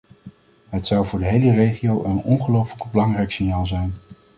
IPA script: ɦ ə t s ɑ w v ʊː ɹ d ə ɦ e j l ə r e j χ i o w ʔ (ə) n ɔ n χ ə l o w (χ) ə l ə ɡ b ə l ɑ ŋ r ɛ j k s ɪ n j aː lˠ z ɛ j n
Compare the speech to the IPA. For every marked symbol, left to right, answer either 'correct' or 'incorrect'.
correct, incorrect: f

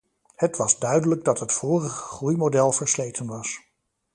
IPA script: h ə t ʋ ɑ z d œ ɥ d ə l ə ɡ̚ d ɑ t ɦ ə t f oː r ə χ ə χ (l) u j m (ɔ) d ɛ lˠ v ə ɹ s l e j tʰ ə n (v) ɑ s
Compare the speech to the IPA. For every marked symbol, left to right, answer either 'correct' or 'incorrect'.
incorrect: r, incorrect: o, incorrect: ʋ

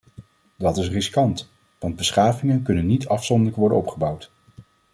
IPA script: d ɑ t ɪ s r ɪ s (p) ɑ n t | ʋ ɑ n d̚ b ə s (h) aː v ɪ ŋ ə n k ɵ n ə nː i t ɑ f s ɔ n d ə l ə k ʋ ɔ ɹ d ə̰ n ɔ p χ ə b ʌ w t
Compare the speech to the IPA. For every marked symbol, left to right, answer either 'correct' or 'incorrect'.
incorrect: k, incorrect: χ

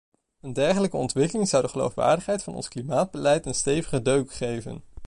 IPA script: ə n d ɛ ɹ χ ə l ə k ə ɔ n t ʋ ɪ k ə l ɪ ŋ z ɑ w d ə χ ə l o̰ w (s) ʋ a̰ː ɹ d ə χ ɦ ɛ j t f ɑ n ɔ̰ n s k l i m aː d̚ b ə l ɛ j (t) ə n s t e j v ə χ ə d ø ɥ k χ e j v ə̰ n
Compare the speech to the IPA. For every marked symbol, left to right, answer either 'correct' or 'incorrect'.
incorrect: f, correct

